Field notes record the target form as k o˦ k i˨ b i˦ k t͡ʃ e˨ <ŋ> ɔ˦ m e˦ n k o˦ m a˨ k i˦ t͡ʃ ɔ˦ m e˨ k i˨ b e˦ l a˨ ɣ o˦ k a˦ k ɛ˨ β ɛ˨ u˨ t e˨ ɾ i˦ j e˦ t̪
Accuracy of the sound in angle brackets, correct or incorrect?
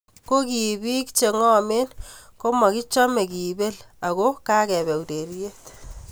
correct